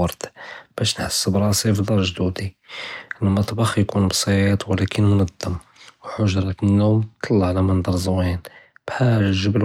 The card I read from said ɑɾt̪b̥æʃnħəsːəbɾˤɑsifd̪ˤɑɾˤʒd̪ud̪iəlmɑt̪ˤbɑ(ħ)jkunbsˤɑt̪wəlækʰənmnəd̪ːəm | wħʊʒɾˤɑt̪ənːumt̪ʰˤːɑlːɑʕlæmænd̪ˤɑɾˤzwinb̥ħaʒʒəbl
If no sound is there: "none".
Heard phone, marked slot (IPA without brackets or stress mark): x